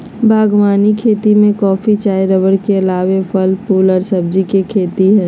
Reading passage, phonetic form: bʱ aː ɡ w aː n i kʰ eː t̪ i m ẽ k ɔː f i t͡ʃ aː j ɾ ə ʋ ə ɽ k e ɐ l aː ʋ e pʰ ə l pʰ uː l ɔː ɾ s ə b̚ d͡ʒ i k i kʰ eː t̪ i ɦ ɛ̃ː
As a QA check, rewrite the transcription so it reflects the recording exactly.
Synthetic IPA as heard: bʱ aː ɡ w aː n i kʰ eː t̪ i m ẽ k ɔː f i t͡ʃ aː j ɾ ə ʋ ə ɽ k e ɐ l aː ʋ e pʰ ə l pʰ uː l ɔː ɾ s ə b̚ d͡ʒ i k e kʰ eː t̪ i ɦ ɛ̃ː